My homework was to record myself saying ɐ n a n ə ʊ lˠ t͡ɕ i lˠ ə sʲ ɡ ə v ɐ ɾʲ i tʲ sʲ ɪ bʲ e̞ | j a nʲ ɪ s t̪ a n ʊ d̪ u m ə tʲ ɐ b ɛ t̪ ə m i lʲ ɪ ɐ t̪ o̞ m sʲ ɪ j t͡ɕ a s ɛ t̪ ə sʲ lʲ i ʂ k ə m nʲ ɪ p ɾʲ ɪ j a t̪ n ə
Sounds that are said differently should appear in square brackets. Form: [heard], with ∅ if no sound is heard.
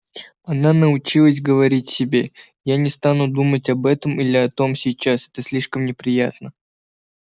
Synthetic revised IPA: ɐ n a n ə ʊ [∅] t͡ɕ i lˠ ə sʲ ɡ ə v ɐ ɾʲ i tʲ sʲ ɪ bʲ e̞ | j a nʲ ɪ s t̪ a n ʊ d̪ u m ə tʲ ɐ b ɛ t̪ ə m i lʲ ɪ ɐ t̪ o̞ m sʲ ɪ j t͡ɕ a s ɛ t̪ ə sʲ lʲ i ʂ k ə m nʲ ɪ p ɾʲ ɪ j a t̪ n ə

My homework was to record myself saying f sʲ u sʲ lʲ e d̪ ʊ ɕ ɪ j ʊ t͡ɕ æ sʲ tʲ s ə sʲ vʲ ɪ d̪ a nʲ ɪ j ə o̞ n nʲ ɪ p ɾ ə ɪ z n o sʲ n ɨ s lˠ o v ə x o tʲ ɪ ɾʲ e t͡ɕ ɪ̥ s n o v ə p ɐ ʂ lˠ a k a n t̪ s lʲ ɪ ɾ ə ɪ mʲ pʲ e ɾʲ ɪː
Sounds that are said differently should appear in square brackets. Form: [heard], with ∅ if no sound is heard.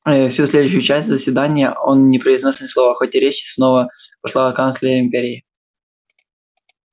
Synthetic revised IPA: f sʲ u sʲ lʲ e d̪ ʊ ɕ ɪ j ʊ t͡ɕ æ sʲ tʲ [z] ə sʲ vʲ ɪ d̪ a nʲ ɪ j ə o̞ n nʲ ɪ p ɾ ə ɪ z n o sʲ n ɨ s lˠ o v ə x o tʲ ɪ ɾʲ e t͡ɕ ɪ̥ s n o v ə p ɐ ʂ lˠ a k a n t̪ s lʲ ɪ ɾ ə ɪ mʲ pʲ e ɾʲ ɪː

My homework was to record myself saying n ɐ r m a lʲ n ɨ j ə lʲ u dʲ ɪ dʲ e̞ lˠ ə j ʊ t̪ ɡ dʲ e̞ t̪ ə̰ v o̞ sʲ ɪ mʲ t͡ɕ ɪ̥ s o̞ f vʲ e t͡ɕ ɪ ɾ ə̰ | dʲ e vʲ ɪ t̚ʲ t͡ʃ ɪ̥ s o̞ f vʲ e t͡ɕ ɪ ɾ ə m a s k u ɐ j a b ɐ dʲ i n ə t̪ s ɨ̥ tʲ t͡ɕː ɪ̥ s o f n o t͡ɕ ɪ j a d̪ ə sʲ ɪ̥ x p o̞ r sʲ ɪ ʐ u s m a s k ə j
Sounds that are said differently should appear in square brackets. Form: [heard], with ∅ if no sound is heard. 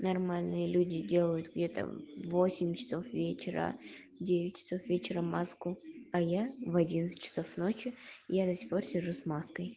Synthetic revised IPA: n ɐ r m a lʲ n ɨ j ə lʲ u dʲ ɪ dʲ e̞ lˠ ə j ʊ t̪ ɡ dʲ e̞ t̪ ə̰ v o̞ sʲ ɪ mʲ t͡ɕ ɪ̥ s o̞ f vʲ e t͡ɕ ɪ ɾ ə̰ | dʲ e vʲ ɪ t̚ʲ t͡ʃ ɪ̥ s o̞ f vʲ e t͡ɕ ɪ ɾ ə m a s k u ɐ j a [v] ɐ dʲ i n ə t̪ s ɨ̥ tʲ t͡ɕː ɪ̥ s o f n o t͡ɕ ɪ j a d̪ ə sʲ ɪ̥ x p o̞ r sʲ ɪ ʐ u s m a s k ə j

